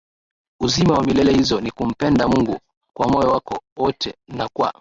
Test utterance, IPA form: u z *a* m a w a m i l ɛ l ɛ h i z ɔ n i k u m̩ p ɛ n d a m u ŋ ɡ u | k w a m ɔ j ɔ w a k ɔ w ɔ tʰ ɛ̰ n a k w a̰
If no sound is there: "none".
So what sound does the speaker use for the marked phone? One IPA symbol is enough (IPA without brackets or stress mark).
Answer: i